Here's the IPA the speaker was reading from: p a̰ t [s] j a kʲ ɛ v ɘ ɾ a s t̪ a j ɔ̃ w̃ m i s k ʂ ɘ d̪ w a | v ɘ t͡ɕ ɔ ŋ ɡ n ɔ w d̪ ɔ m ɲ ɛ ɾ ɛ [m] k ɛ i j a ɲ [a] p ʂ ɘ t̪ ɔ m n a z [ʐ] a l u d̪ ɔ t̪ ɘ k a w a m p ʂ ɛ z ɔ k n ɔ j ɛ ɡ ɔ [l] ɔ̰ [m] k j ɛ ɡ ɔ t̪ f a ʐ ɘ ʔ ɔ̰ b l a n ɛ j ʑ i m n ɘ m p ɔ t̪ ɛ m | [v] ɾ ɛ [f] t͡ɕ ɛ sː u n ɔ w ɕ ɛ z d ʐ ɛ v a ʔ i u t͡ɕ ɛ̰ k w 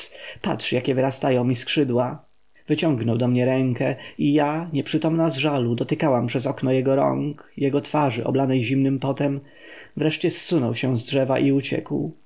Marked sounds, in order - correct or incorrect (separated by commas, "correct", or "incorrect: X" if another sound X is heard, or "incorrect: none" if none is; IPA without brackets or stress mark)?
incorrect: ʂ, incorrect: ŋ, incorrect: ɛ, correct, incorrect: ɾ, incorrect: ŋ, correct, incorrect: ʂ